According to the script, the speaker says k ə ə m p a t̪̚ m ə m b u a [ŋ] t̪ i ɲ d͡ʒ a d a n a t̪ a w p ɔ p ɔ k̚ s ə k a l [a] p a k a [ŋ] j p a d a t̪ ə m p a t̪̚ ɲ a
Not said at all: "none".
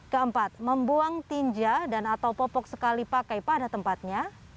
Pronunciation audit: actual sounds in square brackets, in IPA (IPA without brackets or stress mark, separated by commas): ŋ, i, none